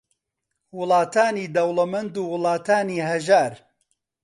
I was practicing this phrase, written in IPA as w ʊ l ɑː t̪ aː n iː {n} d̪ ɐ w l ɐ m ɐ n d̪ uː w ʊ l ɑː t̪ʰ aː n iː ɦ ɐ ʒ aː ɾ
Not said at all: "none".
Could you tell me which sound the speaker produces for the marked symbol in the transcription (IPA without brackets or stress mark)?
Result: none